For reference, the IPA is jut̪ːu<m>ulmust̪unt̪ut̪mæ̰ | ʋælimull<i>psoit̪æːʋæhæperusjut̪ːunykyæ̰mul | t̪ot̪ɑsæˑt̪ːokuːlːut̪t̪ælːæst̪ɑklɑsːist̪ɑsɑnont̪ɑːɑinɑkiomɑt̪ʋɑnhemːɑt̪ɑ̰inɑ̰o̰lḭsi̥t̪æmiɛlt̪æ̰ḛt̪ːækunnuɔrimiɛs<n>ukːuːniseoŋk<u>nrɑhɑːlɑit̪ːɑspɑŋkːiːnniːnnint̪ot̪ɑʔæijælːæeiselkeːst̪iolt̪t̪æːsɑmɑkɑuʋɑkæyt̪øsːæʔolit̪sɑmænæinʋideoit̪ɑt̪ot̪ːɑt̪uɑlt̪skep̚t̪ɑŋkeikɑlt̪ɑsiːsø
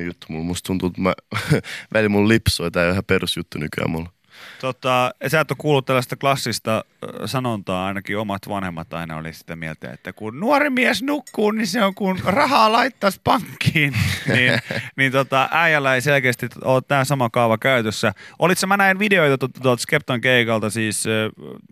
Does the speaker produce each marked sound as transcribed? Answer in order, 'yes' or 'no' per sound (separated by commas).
yes, yes, yes, yes